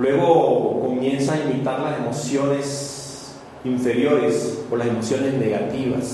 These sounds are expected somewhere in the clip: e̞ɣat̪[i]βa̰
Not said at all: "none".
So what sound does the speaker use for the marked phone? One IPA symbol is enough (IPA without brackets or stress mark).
i